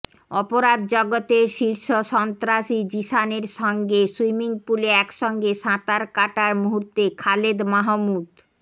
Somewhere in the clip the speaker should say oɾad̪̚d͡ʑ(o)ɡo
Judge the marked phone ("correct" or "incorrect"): incorrect